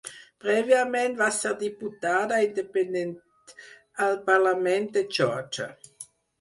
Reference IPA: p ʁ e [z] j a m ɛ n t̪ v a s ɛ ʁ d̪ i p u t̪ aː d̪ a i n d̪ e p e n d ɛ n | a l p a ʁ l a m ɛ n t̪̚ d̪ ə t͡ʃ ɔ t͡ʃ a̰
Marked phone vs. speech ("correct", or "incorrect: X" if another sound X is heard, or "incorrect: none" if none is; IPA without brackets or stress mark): incorrect: v